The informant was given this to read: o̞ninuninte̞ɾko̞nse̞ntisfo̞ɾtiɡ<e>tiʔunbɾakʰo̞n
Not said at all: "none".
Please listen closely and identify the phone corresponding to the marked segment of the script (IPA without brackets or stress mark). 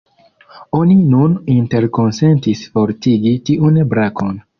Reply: i